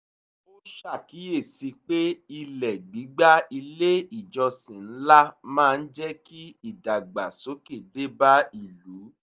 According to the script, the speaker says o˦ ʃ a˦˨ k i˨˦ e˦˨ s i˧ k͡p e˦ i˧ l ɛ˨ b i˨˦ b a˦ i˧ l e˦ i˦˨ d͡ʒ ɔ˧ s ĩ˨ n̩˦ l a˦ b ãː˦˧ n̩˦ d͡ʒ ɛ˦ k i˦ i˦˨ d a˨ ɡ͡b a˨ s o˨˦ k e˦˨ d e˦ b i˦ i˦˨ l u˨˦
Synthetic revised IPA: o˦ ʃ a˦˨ k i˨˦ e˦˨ s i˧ k͡p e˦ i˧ l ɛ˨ ɡ͡b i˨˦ ɡ͡b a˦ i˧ l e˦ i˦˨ d͡ʒ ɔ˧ s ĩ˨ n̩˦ l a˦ m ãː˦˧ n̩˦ d͡ʒ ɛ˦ k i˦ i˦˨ d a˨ ɡ͡b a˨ s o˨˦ k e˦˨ d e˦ b a˦ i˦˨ l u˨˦